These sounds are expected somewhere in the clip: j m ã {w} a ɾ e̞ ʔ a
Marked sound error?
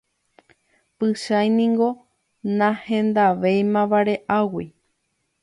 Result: yes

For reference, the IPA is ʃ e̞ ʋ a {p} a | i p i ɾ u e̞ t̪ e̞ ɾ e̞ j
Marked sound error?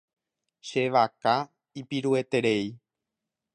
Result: yes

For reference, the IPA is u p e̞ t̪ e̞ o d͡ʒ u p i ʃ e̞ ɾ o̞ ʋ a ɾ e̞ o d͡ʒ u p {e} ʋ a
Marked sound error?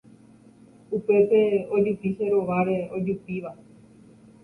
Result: yes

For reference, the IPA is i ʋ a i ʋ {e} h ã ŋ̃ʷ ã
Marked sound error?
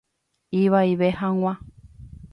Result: no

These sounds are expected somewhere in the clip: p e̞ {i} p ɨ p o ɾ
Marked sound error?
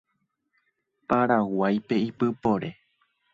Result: no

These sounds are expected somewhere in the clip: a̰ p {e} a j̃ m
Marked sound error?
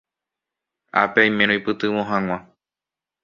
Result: no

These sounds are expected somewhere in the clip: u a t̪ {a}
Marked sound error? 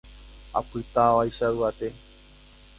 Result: yes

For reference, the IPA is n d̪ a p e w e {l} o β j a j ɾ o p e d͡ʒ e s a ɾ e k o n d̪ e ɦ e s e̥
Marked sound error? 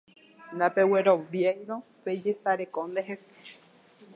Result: yes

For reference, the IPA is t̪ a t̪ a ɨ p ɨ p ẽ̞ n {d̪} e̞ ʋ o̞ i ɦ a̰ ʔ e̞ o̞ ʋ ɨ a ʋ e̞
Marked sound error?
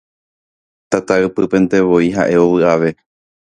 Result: yes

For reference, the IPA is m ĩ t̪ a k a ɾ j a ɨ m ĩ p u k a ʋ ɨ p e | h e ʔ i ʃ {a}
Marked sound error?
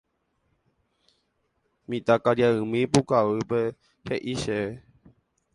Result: yes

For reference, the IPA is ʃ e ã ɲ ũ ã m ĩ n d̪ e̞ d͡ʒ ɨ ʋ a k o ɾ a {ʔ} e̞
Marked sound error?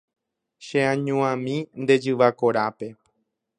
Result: yes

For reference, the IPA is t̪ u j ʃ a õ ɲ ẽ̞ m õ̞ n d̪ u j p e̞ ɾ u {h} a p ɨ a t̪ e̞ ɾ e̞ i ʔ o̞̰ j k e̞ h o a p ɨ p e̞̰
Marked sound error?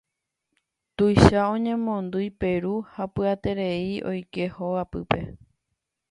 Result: no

